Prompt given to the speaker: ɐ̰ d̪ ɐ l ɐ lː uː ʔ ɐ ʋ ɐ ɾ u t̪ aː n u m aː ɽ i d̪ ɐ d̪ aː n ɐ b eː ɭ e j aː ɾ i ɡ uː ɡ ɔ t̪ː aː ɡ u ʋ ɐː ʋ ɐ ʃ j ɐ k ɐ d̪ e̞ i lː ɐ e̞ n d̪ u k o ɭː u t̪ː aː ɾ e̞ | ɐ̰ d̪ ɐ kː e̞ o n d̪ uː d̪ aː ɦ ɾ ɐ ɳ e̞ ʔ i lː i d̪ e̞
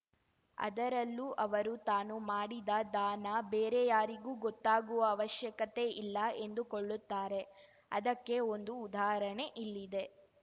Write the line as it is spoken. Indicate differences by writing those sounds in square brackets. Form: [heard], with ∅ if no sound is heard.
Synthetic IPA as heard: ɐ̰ d̪ ɐ [ɾ] ɐ lː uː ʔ ɐ ʋ ɐ ɾ u t̪ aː n u m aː ɽ i d̪ ɐ d̪ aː n ɐ b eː [ɾ] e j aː ɾ i ɡ uː ɡ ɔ t̪ː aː ɡ u ʋ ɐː ʋ ɐ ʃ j ɐ k ɐ [t̪] e̞ i lː ɐ e̞ n d̪ u k o ɭː u t̪ː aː ɾ e̞ | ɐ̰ d̪ ɐ kː e̞ o n d̪ uː d̪ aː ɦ ɾ ɐ ɳ e̞ ʔ i lː i d̪ e̞